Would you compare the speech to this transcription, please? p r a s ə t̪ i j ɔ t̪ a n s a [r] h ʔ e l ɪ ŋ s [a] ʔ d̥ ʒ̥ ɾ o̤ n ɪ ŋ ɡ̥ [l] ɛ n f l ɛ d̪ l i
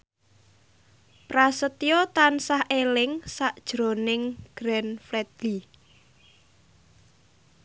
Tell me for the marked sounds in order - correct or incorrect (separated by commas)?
incorrect, correct, incorrect